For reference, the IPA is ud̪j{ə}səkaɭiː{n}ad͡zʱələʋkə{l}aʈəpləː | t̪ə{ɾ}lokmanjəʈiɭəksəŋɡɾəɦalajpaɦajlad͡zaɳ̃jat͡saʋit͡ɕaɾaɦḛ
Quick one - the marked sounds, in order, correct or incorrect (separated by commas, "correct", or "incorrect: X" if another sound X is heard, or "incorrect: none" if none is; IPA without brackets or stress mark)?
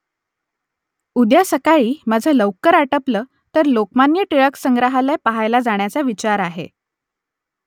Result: incorrect: a, incorrect: m, incorrect: ɾ, correct